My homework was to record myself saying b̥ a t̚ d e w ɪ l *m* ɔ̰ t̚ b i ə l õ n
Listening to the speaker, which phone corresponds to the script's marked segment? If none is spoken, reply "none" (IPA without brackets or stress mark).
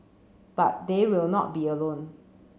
n